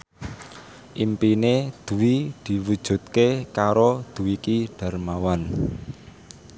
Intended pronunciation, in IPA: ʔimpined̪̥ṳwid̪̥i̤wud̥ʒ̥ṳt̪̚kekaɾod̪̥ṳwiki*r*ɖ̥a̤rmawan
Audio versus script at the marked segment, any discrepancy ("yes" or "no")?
yes